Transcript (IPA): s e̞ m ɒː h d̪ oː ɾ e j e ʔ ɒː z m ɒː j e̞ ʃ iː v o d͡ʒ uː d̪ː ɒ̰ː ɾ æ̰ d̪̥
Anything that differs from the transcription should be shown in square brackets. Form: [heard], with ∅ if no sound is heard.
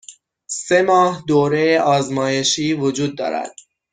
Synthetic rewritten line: s e̞ m ɒː h d̪ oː ɾ e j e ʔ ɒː z m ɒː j e̞ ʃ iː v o d͡ʒ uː d̪ː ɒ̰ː ɾ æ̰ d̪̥